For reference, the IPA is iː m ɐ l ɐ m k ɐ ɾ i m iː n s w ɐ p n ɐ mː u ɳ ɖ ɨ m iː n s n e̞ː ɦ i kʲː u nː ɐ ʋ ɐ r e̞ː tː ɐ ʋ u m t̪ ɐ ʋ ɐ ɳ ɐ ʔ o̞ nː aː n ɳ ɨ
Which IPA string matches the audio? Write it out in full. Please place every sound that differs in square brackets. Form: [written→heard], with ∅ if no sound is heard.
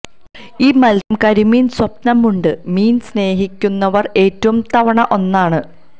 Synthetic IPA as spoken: iː m ɐ l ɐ m k ɐ ɾ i m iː n s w ɐ p n ɐ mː u ɳ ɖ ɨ m iː n s n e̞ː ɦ i kʲː u nː ɐ ʋ ɐ r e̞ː tː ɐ ʋ u m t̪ ɐ ʋ ɐ ɳ ɐ ʔ o̞ nː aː [n→∅] ɳ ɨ